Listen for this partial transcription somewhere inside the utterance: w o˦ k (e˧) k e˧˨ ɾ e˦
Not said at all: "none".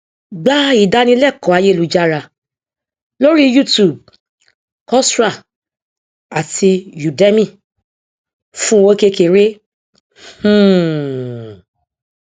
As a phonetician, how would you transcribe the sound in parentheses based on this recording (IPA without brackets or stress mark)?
e˧